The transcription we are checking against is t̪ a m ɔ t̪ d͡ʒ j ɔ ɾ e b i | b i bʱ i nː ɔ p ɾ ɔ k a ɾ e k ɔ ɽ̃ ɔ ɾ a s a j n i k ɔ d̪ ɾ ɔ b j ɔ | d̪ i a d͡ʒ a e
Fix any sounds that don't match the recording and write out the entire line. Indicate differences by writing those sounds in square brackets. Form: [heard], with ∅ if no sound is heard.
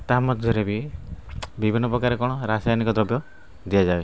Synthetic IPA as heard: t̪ a m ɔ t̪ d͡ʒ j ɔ ɾ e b i | b i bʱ i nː ɔ p ɾ ɔ k a ɾ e k ɔ ɽ̃ ɔ ɾ a s a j n i k ɔ d̪ ɾ ɔ b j ɔ | d̪ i a d͡ʒ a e